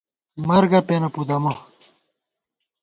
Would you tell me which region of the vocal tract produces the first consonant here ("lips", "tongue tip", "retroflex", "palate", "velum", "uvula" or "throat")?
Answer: lips